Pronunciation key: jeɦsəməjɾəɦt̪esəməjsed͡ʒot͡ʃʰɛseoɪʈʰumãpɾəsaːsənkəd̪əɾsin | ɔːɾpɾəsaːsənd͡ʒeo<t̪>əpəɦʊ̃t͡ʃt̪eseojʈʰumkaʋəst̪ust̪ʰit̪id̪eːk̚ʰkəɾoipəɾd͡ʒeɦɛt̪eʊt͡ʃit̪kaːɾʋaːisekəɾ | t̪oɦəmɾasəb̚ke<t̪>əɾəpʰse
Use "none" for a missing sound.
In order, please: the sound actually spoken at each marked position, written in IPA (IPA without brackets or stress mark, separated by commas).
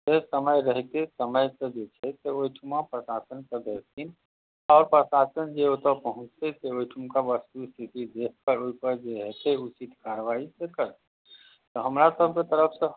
t̪, t̪